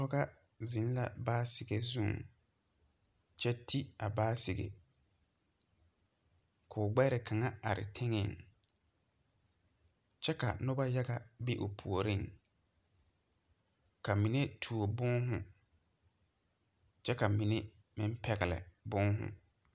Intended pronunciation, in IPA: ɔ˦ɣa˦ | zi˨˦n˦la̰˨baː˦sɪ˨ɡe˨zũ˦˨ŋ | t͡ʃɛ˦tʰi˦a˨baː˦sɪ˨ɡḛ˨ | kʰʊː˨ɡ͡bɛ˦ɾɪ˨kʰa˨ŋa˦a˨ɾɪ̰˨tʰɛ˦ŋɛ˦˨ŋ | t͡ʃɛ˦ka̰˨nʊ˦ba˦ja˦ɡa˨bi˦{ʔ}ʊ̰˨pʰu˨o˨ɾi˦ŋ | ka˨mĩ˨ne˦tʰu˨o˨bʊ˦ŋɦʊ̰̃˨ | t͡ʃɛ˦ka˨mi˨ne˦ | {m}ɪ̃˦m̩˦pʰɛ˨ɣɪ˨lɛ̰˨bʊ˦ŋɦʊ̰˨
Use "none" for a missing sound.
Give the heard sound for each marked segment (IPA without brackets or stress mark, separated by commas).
ʔ, m